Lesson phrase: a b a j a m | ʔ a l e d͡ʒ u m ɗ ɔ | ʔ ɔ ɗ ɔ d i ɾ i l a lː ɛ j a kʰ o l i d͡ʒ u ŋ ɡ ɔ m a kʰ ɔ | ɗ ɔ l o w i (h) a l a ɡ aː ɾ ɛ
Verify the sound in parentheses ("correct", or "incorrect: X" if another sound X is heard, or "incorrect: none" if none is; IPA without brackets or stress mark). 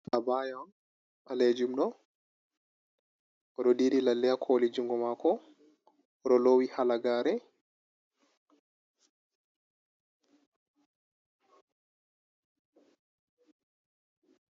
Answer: correct